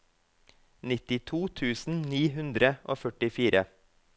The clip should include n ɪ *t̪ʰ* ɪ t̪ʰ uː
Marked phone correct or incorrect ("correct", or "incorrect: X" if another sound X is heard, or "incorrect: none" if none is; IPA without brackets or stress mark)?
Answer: incorrect: t̪